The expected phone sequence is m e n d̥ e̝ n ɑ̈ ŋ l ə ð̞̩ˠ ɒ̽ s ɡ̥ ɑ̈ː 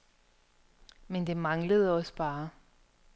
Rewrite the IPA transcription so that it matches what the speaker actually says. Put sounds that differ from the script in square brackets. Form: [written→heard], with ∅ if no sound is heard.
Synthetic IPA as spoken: m e n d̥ e̝ [n→m] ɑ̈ ŋ l ə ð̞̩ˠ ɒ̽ s [ɡ̥→b̥] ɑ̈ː